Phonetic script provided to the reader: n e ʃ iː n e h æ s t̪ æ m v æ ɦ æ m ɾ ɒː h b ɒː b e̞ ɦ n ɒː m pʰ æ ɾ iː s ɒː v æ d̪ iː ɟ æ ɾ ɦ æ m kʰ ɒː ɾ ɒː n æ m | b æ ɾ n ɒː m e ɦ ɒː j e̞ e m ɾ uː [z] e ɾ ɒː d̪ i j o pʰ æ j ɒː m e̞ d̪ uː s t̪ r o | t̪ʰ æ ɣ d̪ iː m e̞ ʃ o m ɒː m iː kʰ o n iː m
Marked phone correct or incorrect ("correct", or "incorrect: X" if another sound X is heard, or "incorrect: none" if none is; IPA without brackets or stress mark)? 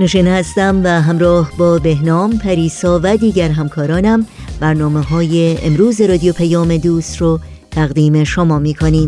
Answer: correct